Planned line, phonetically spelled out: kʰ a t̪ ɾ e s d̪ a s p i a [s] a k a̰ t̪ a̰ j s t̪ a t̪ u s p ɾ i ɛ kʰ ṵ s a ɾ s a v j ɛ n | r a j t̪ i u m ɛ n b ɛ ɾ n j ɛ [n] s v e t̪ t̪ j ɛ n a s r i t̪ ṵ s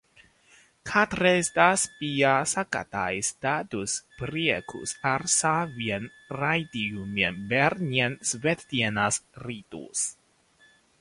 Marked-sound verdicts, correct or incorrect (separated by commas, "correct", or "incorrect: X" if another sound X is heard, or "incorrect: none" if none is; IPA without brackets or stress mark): correct, correct